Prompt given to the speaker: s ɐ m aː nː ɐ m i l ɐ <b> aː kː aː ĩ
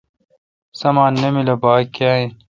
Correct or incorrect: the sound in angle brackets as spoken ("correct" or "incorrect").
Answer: correct